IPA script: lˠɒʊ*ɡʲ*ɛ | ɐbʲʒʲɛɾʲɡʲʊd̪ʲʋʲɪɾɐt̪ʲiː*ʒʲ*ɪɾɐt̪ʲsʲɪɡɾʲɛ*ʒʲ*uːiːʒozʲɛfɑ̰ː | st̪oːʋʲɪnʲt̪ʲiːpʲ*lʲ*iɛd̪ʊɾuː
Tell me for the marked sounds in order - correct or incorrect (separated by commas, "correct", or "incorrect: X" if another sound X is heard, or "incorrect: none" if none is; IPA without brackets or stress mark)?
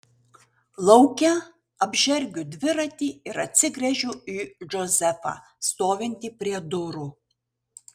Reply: incorrect: kʲ, incorrect: none, correct, incorrect: ɾʲ